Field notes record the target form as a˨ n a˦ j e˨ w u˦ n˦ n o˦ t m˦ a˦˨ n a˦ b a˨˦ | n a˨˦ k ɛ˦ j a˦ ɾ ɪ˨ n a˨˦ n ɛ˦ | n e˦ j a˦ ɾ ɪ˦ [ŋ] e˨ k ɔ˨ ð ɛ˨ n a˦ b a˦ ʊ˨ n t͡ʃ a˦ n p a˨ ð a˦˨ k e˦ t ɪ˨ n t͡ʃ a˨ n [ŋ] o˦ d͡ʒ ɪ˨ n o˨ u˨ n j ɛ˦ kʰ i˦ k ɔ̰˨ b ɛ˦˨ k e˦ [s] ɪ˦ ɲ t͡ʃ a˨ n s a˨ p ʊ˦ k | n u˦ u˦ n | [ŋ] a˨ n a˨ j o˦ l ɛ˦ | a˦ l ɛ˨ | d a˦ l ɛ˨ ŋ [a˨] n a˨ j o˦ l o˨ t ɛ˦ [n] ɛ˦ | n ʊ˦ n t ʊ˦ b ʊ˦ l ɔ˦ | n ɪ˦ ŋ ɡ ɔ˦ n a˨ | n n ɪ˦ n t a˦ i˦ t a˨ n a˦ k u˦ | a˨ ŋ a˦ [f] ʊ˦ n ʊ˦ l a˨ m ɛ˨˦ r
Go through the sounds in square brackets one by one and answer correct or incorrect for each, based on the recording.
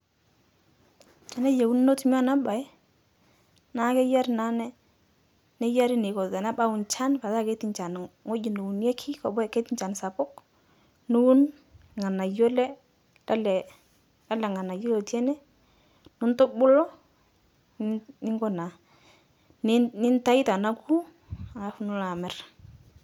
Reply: incorrect: n, correct, incorrect: t, correct, correct, correct, correct

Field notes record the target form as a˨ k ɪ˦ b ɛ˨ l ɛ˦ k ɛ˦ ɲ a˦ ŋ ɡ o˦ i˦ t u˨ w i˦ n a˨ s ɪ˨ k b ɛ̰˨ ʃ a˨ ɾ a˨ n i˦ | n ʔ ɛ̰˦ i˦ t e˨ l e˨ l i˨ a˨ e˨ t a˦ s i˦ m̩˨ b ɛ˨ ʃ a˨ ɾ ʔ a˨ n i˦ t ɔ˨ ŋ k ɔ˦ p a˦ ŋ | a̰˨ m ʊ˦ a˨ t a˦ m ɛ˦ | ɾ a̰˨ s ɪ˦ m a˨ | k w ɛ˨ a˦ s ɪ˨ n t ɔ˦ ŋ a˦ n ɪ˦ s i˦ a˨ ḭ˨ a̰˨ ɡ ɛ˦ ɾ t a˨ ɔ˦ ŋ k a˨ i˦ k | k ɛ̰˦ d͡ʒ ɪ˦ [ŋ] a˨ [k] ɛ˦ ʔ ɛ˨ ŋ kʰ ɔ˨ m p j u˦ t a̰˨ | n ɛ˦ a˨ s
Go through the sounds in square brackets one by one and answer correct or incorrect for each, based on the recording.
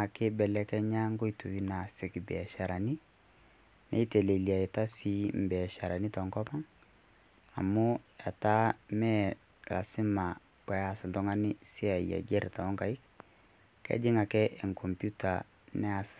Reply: correct, correct

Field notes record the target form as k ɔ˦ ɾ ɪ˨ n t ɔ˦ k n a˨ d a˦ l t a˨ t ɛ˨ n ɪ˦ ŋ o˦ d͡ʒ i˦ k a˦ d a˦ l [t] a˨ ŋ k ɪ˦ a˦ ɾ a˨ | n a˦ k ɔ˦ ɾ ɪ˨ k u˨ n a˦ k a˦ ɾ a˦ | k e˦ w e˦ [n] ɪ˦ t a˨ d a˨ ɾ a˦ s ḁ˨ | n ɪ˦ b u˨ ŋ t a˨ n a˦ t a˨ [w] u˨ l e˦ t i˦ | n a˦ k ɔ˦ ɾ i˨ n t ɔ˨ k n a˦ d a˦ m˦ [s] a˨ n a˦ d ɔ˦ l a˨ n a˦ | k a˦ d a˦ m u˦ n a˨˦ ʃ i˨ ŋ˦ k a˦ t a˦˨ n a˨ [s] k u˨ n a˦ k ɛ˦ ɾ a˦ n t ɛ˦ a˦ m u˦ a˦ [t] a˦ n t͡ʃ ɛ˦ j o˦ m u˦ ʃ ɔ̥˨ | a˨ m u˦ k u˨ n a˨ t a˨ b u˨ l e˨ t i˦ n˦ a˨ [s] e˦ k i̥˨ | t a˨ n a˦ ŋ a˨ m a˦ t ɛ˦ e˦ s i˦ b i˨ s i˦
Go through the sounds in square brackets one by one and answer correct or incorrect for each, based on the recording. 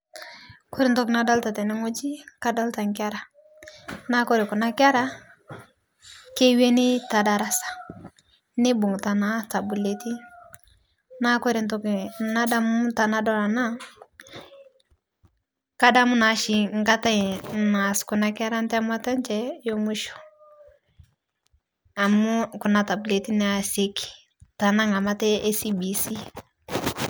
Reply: correct, correct, incorrect: b, incorrect: t, correct, correct, correct

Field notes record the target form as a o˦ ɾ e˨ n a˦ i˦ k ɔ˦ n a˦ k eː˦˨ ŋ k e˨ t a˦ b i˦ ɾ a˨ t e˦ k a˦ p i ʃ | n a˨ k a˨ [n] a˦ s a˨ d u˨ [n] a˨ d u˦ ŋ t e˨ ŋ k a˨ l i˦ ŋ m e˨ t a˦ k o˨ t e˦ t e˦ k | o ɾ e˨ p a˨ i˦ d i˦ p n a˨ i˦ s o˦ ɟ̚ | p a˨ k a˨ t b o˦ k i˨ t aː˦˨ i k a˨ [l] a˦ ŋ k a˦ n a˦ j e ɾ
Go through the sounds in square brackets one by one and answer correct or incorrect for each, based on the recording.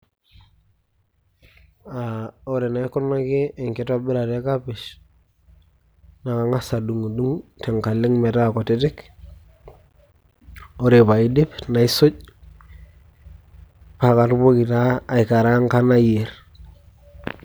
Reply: incorrect: ŋ, incorrect: ŋ, incorrect: ɾ

